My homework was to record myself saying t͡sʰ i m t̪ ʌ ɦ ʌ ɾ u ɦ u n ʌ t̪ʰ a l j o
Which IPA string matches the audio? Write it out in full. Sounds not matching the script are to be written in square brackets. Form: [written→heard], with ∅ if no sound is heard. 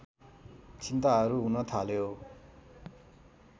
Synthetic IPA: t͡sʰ i [m→n] t̪ [ʌ→a] ɦ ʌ ɾ u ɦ u n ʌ t̪ʰ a l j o

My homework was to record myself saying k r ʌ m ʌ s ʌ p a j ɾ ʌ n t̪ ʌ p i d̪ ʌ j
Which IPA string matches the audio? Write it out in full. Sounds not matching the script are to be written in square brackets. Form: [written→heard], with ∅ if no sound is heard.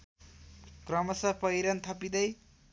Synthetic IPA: k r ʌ m ʌ s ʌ p [a→ʌ] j ɾ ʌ n [t̪→t̪ʰ] ʌ p i d̪ ʌ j

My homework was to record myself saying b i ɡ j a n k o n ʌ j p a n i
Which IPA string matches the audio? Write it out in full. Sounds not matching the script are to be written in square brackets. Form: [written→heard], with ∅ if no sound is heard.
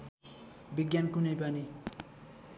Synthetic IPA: b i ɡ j a n k [o→u] n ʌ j p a n i

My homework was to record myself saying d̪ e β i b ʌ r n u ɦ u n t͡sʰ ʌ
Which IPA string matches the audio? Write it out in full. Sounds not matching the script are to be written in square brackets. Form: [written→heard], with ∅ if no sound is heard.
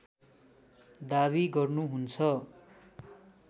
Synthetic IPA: d̪ [e→a] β i [b→ɡ] ʌ r n u ɦ u n t͡sʰ ʌ

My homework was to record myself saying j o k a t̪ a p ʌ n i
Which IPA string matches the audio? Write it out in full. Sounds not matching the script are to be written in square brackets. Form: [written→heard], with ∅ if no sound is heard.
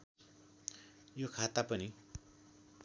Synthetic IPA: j o [k→kʰ] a t̪ a p ʌ n i

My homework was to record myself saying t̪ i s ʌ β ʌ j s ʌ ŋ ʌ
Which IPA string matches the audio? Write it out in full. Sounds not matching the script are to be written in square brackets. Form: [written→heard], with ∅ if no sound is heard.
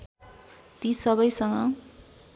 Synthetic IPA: t̪ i s ʌ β ʌ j s ʌ ŋ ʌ

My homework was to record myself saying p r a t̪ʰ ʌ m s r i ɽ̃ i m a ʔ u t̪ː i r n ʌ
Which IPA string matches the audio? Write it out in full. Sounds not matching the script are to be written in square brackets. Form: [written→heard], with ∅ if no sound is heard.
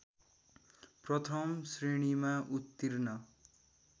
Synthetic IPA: p r [a→ʌ] t̪ʰ ʌ m s r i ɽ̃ i m a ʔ u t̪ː i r n ʌ

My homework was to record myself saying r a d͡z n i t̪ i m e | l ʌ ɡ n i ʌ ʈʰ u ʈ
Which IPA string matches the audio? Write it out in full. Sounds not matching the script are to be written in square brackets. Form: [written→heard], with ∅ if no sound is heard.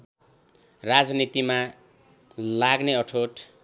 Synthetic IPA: r a d͡z n i t̪ i m [e→a] | l [ʌ→a] ɡ n [i→e] ʌ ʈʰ [u→o] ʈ

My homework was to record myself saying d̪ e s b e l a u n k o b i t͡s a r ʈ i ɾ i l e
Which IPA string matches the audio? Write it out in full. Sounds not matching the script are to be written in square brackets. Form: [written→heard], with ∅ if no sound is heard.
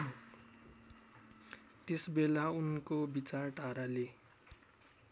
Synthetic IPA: [d̪→t̪] e s b e l a u n k o b i t͡s a r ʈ [i→a] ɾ [i→a] l e

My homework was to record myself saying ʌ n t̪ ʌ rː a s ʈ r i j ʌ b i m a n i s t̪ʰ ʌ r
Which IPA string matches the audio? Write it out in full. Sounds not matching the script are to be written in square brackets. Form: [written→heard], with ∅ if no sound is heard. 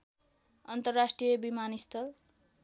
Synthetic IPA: ʌ n t̪ ʌ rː a s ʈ r i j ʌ b i m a n i s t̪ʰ ʌ [r→l]

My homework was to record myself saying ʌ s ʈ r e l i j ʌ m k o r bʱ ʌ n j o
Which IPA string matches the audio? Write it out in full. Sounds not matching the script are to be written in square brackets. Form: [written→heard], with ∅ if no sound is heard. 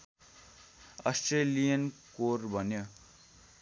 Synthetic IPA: ʌ s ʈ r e l i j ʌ [m→n] k o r bʱ ʌ n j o

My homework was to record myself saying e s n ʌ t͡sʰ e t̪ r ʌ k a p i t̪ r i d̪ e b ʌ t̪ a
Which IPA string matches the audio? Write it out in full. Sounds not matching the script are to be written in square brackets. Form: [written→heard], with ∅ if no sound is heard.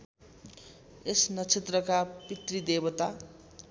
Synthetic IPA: e s n ʌ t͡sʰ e t̪ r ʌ k a p i t̪ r i d̪ e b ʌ t̪ a

